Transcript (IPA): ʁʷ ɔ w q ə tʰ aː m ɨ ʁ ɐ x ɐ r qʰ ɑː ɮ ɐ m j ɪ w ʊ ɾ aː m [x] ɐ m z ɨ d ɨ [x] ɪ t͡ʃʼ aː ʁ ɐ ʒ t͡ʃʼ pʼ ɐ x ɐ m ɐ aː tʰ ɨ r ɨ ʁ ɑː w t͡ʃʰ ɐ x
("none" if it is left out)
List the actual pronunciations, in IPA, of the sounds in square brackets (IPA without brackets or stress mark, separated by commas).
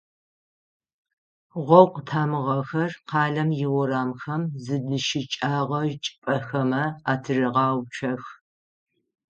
x, ʃ